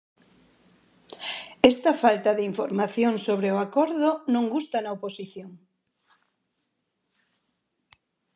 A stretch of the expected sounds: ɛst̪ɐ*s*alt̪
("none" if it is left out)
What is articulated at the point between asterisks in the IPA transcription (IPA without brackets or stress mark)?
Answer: f